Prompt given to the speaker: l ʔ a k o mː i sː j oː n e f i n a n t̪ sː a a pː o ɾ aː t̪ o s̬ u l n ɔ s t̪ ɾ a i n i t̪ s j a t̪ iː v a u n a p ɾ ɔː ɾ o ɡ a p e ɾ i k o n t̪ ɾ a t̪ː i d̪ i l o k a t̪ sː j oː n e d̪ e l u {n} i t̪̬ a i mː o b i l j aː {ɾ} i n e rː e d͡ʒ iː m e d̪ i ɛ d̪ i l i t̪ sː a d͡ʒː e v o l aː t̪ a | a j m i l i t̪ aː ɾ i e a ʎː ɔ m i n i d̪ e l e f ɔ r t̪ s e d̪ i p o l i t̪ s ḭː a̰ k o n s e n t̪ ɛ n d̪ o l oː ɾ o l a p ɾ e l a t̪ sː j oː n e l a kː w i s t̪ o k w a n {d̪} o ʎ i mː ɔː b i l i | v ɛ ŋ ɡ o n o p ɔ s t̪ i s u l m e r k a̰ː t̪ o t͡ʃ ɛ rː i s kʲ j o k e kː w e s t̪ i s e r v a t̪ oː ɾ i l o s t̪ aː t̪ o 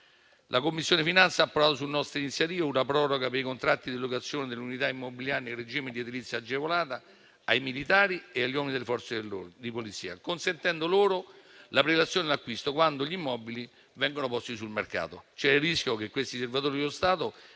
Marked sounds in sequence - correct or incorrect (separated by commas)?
correct, correct, correct